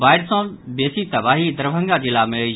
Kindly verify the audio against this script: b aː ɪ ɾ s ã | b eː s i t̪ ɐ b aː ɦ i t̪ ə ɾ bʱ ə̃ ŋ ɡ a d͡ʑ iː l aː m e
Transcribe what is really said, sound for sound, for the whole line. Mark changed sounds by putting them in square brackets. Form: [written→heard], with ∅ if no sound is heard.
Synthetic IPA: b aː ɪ ɾ s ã | b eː s i t̪ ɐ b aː ɦ i [t̪→d̪] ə ɾ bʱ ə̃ ŋ ɡ a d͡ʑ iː l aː m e

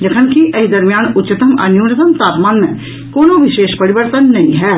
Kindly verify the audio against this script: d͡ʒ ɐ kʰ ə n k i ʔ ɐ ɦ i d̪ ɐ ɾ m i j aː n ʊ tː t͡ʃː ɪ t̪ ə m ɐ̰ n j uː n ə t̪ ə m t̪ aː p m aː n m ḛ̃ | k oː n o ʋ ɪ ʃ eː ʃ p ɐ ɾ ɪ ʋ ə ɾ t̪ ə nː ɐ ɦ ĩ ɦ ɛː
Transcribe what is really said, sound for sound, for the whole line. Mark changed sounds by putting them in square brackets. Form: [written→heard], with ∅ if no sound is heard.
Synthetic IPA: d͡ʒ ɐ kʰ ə n k i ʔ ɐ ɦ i d̪ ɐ ɾ m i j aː n ʊ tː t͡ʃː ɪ t̪ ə m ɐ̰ n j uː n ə t̪ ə m t̪ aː p m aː n m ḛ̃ | k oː n o ʋ ɪ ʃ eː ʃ p ɐ ɾ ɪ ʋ ə ɾ t̪ ə nː ɐ ɦ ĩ ɦ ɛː

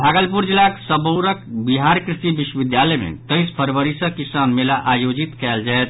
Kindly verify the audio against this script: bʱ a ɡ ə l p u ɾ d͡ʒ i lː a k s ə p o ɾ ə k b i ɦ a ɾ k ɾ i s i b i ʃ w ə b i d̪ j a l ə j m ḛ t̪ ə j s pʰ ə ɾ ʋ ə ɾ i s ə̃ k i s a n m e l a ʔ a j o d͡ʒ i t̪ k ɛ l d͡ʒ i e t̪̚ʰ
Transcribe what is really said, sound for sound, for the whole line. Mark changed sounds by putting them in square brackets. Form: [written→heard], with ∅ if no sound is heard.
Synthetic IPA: bʱ a ɡ ə l p u ɾ d͡ʒ i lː a k s ə [p→b] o ɾ ə k b i ɦ a ɾ k ɾ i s i b i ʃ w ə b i d̪ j a l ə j m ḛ t̪ ə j s pʰ ə ɾ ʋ ə ɾ i s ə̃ k i s a n m e l a ʔ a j o d͡ʒ i t̪ k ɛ l d͡ʒ [i→a] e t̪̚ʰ

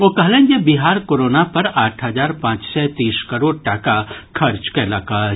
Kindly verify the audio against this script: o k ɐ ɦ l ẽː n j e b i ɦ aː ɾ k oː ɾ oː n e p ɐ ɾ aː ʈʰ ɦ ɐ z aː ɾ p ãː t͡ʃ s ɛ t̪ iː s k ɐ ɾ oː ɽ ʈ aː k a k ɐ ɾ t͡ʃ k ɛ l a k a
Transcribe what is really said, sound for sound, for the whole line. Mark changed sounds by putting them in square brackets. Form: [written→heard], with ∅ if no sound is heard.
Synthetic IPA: o k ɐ ɦ l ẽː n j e b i ɦ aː ɾ k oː ɾ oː n [e→a] p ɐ ɾ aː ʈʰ ɦ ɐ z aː ɾ p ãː t͡ʃ s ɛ t̪ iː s k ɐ ɾ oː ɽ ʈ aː k a [k→kʰ] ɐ ɾ t͡ʃ k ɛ l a k a

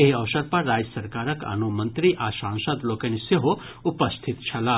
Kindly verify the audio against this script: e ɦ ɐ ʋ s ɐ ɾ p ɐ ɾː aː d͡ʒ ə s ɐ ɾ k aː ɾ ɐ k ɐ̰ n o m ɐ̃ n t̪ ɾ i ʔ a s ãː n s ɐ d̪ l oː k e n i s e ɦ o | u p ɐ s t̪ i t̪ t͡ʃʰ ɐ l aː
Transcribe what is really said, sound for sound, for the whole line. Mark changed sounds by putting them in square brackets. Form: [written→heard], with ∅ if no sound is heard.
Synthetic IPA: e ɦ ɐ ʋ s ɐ ɾ p ɐ ɾː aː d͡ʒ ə s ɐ ɾ k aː ɾ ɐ k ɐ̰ n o m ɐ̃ n t̪ ɾ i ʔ a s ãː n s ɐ d̪ l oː k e n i s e ɦ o | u p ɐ s [t̪→t̪ʰ] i t̪ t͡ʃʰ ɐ l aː

